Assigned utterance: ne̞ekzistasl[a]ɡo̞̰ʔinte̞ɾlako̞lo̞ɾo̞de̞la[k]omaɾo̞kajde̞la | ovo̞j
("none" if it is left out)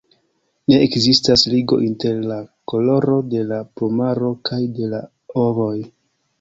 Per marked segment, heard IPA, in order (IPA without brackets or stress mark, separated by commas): i, p